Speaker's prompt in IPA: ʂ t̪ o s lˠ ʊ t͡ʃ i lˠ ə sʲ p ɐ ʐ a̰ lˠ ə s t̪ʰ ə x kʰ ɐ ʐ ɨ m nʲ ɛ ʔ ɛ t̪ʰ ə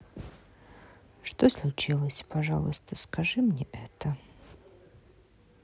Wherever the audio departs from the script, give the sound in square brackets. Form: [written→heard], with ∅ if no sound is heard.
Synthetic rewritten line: ʂ t̪ o s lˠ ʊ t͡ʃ i lˠ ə sʲ p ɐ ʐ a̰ lˠ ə s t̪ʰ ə [x→s] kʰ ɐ ʐ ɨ m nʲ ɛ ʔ ɛ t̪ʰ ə